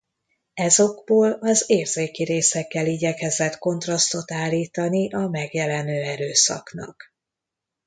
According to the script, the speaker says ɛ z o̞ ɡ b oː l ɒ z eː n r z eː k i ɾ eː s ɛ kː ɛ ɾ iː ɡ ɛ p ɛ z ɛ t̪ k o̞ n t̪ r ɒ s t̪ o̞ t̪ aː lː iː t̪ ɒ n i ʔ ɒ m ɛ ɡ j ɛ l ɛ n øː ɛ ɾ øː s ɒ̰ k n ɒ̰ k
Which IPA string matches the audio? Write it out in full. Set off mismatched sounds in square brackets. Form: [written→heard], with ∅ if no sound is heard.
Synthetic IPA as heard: ɛ z o̞ ɡ b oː l ɒ z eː [n→∅] r z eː k i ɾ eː s ɛ kː ɛ [ɾ→l] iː [ɡ→ɟ] ɛ [p→k] ɛ z ɛ t̪ k o̞ n t̪ r ɒ s t̪ o̞ t̪ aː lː iː t̪ ɒ n i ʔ ɒ m ɛ ɡ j ɛ l ɛ n øː ɛ ɾ øː s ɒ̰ k n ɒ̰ k

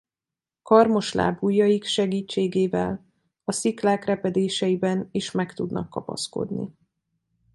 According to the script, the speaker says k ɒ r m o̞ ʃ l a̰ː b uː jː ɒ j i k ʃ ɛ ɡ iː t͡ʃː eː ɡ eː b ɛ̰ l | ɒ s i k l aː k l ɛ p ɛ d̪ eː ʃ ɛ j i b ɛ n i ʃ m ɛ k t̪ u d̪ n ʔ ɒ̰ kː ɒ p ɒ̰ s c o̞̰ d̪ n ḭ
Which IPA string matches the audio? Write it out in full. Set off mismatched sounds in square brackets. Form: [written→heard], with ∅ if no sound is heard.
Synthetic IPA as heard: k ɒ r m o̞ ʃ l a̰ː b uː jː ɒ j i k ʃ ɛ ɡ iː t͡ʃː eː ɡ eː [b→v] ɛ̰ l | ɒ s i k l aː k [l→r] ɛ p ɛ d̪ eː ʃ ɛ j i b ɛ n i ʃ m ɛ k t̪ u d̪ n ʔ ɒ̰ kː ɒ p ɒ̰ s [c→k] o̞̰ d̪ n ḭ

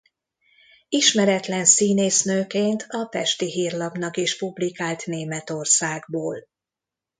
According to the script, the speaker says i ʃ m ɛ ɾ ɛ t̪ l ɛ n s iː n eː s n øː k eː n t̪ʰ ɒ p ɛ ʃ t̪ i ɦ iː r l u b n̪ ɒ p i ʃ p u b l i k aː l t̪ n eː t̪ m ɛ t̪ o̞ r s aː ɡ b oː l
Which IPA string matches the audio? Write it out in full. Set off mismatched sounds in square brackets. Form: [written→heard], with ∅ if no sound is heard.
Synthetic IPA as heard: i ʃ m ɛ ɾ ɛ t̪ l ɛ n s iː n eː s n øː k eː n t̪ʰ ɒ p ɛ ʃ t̪ i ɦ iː r l [u→ɒ] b n̪ ɒ [p→k] i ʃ p u b l i k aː l t̪ n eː [t̪→∅] m ɛ t̪ o̞ r s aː ɡ b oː l

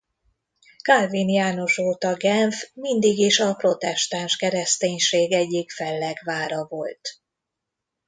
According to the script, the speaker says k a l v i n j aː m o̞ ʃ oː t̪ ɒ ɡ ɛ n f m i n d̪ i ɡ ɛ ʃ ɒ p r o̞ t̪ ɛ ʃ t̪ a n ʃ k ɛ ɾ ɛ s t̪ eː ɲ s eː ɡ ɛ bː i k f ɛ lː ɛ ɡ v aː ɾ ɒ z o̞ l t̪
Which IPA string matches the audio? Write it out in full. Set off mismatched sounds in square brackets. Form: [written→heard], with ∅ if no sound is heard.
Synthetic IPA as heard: k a l v i n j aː [m→n] o̞ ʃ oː t̪ ɒ ɡ ɛ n f m i n d̪ i ɡ [ɛ→i] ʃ ɒ p r o̞ t̪ ɛ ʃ t̪ a n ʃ k ɛ ɾ ɛ s t̪ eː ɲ [s→ʃ] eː ɡ ɛ [bː→ɟː] i k f ɛ lː ɛ ɡ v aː ɾ ɒ [z→v] o̞ l t̪

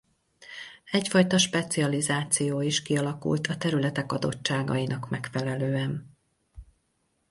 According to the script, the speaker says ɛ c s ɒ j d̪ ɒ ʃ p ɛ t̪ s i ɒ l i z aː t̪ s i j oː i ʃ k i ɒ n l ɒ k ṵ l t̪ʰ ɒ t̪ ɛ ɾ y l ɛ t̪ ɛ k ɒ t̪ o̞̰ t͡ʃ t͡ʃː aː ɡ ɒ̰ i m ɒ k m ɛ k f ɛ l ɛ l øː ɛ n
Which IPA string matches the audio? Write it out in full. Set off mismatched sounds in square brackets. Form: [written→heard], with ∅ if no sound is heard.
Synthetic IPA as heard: ɛ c [s→f] ɒ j [d̪→t̪] ɒ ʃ p ɛ t̪ s i ɒ l i z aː t̪ s i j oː i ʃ k i ɒ [n→∅] l ɒ k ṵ l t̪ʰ ɒ t̪ ɛ ɾ y l ɛ t̪ ɛ k ɒ [t̪→d̪] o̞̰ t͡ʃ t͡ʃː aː ɡ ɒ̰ i [m→n] ɒ k m ɛ k f ɛ l ɛ l øː ɛ n

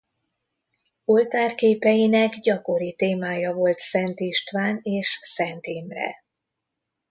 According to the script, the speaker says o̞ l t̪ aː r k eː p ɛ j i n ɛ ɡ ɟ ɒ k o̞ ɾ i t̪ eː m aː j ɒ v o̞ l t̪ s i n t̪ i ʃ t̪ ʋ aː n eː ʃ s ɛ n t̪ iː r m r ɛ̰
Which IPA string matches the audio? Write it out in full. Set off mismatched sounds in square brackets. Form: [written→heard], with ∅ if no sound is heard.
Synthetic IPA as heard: o̞ l t̪ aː r k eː p ɛ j i n ɛ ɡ ɟ ɒ k o̞ ɾ i t̪ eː m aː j ɒ v o̞ l t̪ s [i→ɛ] n t̪ i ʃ t̪ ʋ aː n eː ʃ s ɛ n t̪ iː [r→∅] m r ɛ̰

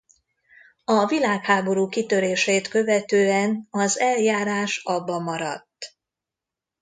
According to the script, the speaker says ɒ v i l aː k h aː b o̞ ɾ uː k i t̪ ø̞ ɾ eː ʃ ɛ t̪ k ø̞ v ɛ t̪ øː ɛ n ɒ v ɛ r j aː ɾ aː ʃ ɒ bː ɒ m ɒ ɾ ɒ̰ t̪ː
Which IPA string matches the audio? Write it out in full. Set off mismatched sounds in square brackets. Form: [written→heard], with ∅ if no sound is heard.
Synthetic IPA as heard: ɒ v i l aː k h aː b o̞ ɾ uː k i t̪ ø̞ ɾ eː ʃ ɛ t̪ k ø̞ v ɛ t̪ øː ɛ n ɒ [v→z] ɛ [r→l] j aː ɾ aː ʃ ɒ bː ɒ m ɒ ɾ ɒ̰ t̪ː

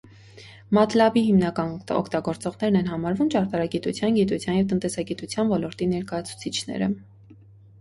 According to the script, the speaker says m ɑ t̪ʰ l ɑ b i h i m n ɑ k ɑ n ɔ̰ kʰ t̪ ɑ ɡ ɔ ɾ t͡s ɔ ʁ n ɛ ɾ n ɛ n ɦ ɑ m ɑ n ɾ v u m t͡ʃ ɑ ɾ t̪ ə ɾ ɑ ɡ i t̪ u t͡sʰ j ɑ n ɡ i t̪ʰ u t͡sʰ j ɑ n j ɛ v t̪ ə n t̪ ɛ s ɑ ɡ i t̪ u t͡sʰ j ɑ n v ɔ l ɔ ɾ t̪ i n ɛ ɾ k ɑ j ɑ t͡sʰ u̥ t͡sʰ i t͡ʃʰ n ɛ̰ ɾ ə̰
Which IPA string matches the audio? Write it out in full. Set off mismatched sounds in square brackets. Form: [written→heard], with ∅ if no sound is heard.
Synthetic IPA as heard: m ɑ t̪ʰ l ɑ b i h i m n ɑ k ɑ n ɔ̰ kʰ t̪ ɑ ɡ ɔ ɾ t͡s ɔ ʁ n ɛ ɾ n ɛ n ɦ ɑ m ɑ [n→∅] ɾ v u m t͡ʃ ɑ ɾ t̪ [ə→ɑ] ɾ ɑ ɡ i t̪ u t͡sʰ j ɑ n ɡ i [t̪ʰ→t̪] u t͡sʰ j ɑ n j ɛ v t̪ ə n t̪ ɛ s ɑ ɡ i t̪ u t͡sʰ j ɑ n v ɔ l ɔ ɾ t̪ i n ɛ ɾ k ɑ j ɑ t͡sʰ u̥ t͡sʰ i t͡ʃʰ n ɛ̰ ɾ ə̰

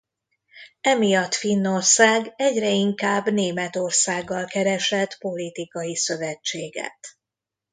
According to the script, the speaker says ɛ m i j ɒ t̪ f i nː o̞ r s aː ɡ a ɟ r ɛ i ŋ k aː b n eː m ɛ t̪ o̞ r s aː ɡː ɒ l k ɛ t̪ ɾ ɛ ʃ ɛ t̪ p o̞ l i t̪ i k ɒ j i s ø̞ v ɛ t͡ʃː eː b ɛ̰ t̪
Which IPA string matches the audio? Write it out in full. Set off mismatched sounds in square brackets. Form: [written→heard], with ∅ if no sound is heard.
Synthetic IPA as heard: ɛ m i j ɒ t̪ f i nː o̞ r s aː ɡ [a→ɛ] ɟ r ɛ i ŋ k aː b n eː m ɛ t̪ o̞ r s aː ɡː ɒ l k ɛ [t̪→∅] ɾ ɛ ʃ ɛ t̪ p o̞ l i t̪ i k ɒ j i s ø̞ v ɛ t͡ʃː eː [b→ɡ] ɛ̰ t̪

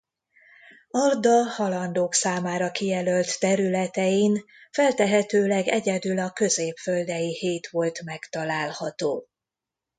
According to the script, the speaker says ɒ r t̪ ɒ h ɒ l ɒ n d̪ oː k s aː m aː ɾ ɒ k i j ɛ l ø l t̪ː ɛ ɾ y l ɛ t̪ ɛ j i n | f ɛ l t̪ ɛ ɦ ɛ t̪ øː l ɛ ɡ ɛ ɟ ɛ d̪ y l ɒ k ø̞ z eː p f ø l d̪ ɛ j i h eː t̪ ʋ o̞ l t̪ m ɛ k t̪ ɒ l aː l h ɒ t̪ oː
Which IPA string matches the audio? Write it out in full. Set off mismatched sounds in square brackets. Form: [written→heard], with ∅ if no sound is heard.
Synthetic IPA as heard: ɒ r [t̪→d̪] ɒ h ɒ l ɒ n d̪ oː k s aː m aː ɾ ɒ k i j ɛ l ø l t̪ː ɛ ɾ y l ɛ t̪ ɛ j i n | f ɛ l t̪ ɛ ɦ ɛ t̪ øː l ɛ ɡ ɛ ɟ ɛ d̪ y l ɒ k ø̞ z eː p f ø l d̪ ɛ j i h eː t̪ ʋ o̞ l t̪ m ɛ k t̪ ɒ l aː l h ɒ t̪ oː

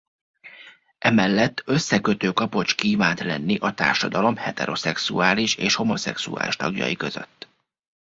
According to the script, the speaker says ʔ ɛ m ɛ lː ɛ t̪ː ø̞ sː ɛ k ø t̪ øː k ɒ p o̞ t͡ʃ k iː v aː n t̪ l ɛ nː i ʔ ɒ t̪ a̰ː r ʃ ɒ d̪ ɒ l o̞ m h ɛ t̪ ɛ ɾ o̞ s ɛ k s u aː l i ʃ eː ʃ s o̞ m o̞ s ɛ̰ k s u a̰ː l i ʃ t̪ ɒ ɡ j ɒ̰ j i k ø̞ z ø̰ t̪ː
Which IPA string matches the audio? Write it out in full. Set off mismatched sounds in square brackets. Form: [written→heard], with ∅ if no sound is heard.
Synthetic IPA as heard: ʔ ɛ m ɛ lː ɛ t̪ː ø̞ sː ɛ k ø t̪ øː k ɒ p o̞ t͡ʃ k iː v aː n t̪ l ɛ nː i ʔ ɒ t̪ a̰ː r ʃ ɒ d̪ ɒ l o̞ m h ɛ t̪ ɛ ɾ o̞ s ɛ k s u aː l i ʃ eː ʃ [s→h] o̞ m o̞ s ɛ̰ k s u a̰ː l i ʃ t̪ ɒ ɡ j ɒ̰ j i k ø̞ z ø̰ t̪ː

